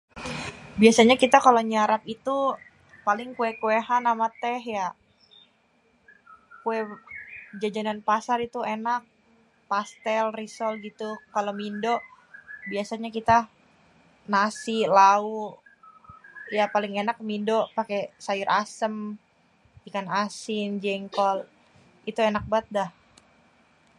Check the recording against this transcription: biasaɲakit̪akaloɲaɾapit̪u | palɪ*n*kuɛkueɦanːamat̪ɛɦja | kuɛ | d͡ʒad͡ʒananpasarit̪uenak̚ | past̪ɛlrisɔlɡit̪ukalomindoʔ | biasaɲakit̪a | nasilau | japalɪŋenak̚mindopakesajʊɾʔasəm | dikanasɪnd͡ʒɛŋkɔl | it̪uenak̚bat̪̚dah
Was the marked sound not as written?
yes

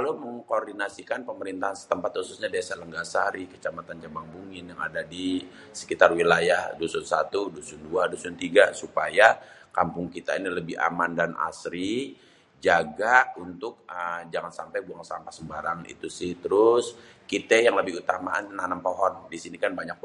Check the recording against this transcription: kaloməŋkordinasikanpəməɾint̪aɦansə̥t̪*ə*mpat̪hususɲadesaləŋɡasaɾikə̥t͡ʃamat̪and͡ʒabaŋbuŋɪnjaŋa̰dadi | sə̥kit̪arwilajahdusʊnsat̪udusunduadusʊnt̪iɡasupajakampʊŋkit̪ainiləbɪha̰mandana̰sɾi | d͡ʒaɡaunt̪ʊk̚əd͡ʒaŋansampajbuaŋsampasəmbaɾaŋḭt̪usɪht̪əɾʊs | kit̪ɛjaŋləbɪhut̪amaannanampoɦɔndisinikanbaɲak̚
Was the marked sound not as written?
no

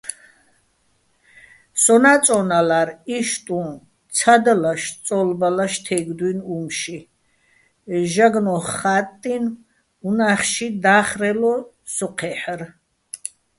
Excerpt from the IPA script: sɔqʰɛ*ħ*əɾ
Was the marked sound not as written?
no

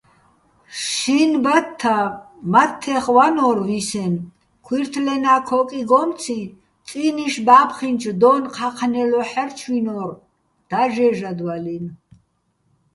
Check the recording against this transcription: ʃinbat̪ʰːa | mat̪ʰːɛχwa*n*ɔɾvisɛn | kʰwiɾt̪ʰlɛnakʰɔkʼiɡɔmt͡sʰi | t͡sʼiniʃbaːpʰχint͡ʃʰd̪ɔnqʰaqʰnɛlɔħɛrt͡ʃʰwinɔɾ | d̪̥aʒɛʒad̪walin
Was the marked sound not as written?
no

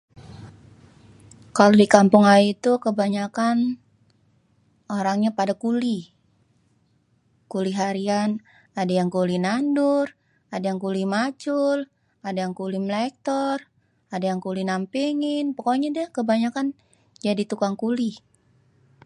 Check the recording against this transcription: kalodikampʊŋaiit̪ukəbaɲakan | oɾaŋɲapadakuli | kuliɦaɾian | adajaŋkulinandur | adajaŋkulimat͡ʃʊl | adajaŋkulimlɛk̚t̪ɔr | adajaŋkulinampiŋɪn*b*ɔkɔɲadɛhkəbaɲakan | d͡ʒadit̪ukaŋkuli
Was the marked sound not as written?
yes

